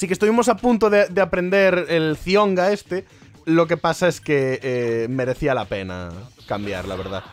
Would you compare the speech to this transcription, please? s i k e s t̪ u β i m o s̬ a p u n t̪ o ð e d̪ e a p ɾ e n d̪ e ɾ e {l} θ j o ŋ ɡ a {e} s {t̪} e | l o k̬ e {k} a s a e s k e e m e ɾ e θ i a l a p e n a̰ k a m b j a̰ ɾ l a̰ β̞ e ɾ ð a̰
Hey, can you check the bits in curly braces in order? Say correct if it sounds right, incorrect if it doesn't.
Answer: correct, correct, correct, incorrect: p

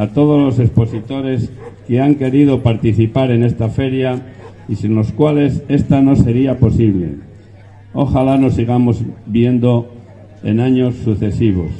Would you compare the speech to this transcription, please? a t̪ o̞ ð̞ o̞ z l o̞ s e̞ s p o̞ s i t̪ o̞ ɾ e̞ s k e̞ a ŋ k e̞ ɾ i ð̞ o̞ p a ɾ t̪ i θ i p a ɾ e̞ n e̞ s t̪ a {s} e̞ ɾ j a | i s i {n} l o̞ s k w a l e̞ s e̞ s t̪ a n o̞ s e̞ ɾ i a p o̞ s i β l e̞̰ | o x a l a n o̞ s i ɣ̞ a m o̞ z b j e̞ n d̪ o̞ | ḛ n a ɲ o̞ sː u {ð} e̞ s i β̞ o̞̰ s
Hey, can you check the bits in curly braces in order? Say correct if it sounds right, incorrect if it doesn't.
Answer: incorrect: f, correct, incorrect: θ

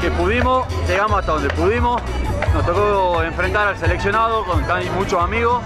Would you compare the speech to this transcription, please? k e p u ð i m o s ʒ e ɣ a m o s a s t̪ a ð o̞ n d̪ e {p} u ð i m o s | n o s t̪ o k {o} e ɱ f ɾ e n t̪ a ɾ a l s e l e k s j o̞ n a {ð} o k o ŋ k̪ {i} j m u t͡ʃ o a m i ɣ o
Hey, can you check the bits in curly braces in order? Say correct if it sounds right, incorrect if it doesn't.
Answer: correct, correct, correct, incorrect: a

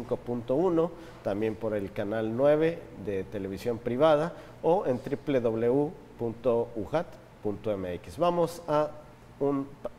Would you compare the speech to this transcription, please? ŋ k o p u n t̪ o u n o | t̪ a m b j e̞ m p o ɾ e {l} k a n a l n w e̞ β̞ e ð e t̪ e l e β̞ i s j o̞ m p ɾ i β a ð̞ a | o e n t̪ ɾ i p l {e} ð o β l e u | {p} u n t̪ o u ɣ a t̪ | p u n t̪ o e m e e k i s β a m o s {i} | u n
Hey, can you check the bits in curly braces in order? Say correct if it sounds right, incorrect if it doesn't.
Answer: correct, correct, correct, incorrect: a

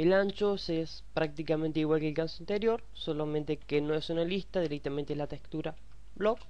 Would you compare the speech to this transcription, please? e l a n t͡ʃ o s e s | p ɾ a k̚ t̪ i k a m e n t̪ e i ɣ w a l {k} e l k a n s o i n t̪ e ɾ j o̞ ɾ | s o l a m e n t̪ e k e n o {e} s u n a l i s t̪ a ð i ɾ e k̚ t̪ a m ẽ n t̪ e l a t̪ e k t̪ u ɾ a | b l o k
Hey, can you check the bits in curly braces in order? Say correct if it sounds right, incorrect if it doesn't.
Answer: correct, correct

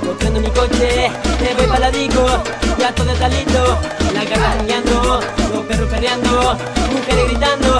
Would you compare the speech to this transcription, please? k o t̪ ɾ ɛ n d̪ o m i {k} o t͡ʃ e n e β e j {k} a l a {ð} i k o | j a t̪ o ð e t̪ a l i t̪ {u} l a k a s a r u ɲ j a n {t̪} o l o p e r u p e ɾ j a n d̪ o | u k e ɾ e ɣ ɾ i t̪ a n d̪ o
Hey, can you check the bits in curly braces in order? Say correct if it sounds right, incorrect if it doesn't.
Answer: correct, incorrect: p, correct, incorrect: o, incorrect: d̪

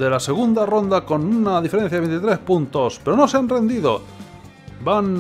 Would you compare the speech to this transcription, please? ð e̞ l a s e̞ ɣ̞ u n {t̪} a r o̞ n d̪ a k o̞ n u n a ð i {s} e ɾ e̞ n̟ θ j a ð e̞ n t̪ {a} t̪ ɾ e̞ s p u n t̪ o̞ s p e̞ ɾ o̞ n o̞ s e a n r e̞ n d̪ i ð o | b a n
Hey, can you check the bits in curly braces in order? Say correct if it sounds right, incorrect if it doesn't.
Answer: incorrect: d̪, incorrect: f, incorrect: i

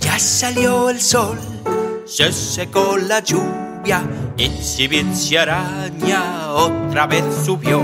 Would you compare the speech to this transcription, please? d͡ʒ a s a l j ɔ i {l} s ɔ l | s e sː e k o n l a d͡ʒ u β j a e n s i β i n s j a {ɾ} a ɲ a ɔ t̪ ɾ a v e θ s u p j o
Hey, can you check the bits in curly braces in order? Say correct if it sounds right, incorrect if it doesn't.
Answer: correct, correct

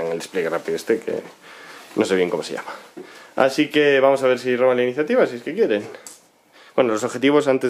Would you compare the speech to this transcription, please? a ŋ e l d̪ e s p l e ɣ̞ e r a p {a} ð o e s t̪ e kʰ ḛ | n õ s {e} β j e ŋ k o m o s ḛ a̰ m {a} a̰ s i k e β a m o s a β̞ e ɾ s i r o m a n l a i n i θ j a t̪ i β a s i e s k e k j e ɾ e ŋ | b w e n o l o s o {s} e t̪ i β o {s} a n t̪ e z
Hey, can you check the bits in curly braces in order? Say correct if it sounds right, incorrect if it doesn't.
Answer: incorrect: i, correct, correct, incorrect: x, correct

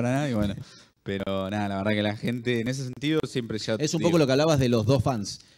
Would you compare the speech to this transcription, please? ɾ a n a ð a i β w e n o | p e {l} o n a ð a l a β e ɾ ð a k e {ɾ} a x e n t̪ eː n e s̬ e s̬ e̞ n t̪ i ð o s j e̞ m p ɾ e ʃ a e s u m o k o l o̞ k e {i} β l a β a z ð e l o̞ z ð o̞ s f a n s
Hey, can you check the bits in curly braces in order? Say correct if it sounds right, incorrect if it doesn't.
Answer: incorrect: ɾ, incorrect: l, incorrect: a

